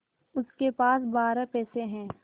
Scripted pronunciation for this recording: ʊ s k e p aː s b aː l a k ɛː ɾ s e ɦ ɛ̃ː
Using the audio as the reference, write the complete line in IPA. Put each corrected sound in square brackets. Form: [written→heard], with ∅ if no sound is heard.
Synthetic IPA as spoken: ʊ s k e p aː s b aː [l→ɾ] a [k→p] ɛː [ɾ→∅] s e ɦ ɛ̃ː

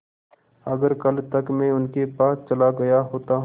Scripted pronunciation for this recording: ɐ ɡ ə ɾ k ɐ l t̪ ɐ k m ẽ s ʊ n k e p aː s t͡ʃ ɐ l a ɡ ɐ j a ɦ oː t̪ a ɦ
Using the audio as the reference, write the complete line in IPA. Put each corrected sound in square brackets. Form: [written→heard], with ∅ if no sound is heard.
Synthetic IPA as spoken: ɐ ɡ ə ɾ k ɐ l t̪ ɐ k m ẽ [s→∅] ʊ n k e p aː s t͡ʃ ɐ l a ɡ ɐ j a ɦ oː t̪ a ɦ

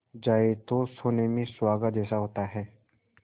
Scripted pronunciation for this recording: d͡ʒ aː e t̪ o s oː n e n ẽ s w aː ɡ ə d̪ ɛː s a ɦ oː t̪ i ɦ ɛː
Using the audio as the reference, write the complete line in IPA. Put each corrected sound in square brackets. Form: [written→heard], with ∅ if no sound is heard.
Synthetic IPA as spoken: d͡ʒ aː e t̪ o s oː n e [n→m] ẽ s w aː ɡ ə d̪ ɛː s a ɦ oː t̪ [i→a] ɦ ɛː

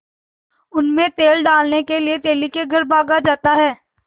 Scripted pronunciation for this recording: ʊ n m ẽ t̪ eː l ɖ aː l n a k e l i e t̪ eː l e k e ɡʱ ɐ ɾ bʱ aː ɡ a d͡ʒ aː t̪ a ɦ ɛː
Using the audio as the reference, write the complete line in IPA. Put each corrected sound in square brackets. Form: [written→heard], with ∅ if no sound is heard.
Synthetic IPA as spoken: ʊ n m ẽ t̪ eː l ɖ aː l n [a→e] k e l i e t̪ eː l [e→i] k e ɡʱ ɐ ɾ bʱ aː ɡ a d͡ʒ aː t̪ a ɦ ɛː

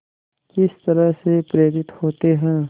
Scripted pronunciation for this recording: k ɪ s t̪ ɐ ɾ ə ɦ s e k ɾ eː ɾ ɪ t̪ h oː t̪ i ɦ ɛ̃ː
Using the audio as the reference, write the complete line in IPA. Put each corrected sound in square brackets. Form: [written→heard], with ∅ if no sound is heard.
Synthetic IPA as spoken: k ɪ s t̪ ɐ ɾ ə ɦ s e [k→p] ɾ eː ɾ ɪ t̪ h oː t̪ [i→e] ɦ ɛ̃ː

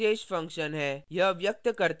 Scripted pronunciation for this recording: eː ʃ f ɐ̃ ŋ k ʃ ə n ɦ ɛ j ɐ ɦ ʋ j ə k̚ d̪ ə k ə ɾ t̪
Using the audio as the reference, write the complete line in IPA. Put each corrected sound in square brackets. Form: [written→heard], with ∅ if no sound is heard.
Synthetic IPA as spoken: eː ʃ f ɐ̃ ŋ k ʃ ə n ɦ ɛ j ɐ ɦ ʋ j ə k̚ [d̪→t̪] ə k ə ɾ t̪

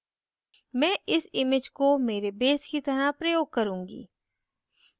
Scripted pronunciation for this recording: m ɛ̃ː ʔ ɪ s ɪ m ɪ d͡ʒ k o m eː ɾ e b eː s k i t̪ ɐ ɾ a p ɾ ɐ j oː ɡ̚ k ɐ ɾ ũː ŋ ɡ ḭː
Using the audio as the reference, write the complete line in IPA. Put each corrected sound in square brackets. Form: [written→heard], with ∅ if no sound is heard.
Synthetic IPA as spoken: m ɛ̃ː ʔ ɪ s ɪ m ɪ d͡ʒ k o m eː ɾ e b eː s k i t̪ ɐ ɾ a p ɾ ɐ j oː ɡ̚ k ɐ ɾ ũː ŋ ɡ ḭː

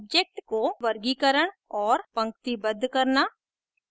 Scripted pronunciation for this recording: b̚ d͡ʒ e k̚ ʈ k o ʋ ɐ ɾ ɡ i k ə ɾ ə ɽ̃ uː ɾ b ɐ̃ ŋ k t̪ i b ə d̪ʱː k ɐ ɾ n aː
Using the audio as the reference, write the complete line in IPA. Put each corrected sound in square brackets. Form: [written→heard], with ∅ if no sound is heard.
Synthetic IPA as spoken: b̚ d͡ʒ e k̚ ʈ k o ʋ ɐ ɾ ɡ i k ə ɾ ə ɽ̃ [uː→ɔː] ɾ [b→p] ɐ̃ ŋ k t̪ i b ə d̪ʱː k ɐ ɾ n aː

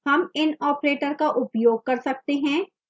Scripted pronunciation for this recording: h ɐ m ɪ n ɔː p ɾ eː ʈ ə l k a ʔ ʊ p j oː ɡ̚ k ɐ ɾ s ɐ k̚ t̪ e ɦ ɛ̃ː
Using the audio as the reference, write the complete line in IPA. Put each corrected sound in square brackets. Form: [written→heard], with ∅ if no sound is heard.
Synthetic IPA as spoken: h ɐ m ɪ n ɔː p ɾ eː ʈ ə [l→ɾ] k a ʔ ʊ p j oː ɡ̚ k ɐ ɾ s ɐ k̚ t̪ e ɦ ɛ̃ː

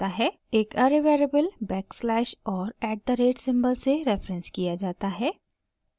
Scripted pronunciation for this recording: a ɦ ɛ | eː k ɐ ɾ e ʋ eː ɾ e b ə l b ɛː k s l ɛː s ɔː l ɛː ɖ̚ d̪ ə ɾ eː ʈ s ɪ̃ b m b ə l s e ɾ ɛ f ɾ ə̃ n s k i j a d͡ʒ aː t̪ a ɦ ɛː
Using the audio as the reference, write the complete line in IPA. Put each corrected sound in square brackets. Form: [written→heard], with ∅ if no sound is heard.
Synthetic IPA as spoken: a ɦ ɛ | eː k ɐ ɾ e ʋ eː ɾ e b ə l b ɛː k s l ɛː [s→ʃ] ɔː [l→ɾ] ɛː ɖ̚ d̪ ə ɾ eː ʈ s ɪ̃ [b→∅] m b ə l s e ɾ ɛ f ɾ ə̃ n s k i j a d͡ʒ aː t̪ a ɦ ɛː

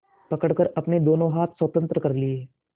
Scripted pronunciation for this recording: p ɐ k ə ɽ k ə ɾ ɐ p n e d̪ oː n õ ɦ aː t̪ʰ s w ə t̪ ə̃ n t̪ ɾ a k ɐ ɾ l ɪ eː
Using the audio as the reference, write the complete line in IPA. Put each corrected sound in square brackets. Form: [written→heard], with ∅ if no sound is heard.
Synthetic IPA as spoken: p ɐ k ə ɽ k ə ɾ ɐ p n e d̪ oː n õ ɦ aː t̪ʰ s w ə t̪ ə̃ n t̪ ɾ [a→ə] k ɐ ɾ l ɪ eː

